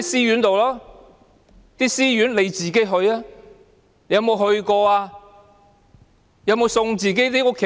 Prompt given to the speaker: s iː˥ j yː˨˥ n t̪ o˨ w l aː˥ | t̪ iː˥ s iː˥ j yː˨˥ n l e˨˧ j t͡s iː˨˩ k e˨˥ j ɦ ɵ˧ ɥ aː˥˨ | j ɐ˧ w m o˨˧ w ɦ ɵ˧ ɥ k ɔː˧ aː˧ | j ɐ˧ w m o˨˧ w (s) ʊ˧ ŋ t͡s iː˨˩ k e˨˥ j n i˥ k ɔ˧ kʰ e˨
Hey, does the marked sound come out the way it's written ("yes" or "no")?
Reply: yes